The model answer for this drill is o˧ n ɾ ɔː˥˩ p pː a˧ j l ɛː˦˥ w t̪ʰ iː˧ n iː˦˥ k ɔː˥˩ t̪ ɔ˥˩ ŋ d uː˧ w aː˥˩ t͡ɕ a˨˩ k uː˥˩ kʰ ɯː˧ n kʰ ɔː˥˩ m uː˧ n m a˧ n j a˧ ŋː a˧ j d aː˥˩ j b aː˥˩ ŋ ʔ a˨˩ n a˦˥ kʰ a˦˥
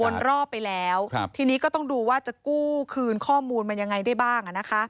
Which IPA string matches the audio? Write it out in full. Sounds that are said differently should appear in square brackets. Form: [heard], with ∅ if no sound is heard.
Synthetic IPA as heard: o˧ n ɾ ɔː˥˩ p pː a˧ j l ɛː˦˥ w t̪ʰ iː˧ n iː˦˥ k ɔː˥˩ t̪ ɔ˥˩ ŋ d uː˧ w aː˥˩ t͡ɕ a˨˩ k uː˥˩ kʰ ɯː˧ n kʰ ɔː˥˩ m uː˧ n m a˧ n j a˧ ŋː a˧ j d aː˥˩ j b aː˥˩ ŋ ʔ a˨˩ n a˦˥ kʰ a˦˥